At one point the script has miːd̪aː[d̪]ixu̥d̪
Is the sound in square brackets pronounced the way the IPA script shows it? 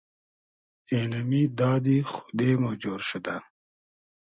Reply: yes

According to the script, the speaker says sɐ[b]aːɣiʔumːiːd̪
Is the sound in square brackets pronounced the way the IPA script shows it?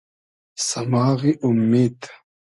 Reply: no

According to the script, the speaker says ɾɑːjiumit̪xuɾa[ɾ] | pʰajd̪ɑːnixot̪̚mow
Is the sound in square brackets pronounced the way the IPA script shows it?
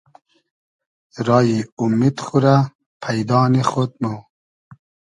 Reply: no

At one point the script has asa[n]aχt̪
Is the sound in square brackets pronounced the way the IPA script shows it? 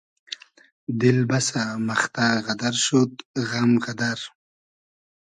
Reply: no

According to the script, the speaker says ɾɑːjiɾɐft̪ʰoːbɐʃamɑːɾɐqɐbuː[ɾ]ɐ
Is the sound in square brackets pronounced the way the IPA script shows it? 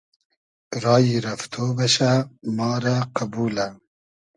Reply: no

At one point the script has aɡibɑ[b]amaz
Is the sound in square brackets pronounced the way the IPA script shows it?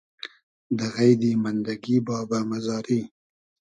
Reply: yes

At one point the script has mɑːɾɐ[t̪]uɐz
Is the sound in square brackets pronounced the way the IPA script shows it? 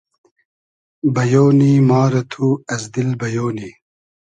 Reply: no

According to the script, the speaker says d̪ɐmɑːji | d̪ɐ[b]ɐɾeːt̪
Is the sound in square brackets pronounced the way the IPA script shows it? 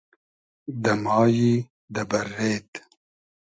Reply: yes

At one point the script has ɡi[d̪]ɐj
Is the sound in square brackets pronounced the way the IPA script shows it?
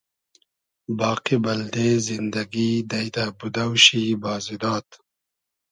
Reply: yes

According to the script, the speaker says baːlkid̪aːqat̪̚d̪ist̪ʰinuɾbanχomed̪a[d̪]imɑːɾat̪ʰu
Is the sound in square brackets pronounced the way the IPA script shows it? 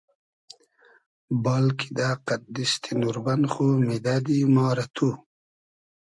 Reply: yes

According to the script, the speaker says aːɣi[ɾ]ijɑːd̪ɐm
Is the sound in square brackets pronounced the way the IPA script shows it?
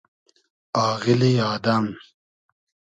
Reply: no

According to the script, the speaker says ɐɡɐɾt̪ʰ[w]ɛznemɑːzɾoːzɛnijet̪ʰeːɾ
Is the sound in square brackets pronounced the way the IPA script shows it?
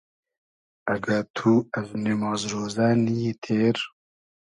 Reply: no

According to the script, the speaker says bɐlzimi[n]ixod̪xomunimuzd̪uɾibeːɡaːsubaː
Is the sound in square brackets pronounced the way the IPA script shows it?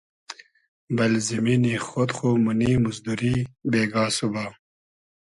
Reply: yes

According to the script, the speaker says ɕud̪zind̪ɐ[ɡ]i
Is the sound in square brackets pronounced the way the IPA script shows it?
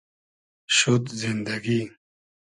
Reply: yes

